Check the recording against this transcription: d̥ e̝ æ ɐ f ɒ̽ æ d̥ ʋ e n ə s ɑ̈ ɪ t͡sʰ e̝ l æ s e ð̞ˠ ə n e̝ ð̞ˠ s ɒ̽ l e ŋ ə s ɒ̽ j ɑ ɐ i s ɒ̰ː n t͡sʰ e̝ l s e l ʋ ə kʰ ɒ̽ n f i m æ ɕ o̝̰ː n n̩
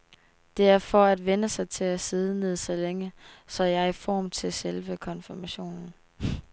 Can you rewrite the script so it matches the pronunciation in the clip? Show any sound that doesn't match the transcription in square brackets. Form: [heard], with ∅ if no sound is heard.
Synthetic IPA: d̥ e̝ æ ɐ f ɒ̽ æ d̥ ʋ e n ə s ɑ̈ ɪ t͡sʰ e̝ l æ s e ð̞ˠ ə n e̝ ð̞ˠ s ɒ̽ l e ŋ ə s ɒ̽ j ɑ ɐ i [f] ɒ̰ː [m] t͡sʰ e̝ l s e l ʋ ə kʰ ɒ̽ n f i m æ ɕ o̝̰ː n n̩

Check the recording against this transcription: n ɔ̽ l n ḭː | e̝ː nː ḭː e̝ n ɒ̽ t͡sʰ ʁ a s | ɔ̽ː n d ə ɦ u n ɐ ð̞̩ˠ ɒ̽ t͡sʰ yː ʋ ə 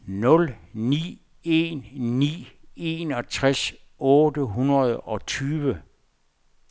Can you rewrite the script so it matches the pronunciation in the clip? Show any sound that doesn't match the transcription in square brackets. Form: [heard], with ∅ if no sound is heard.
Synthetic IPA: n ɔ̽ l n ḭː | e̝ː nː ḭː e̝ n ɒ̽ t͡sʰ ʁ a s | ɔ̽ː [∅] d ə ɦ u n ɐ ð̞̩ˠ ɒ̽ t͡sʰ yː ʋ ə

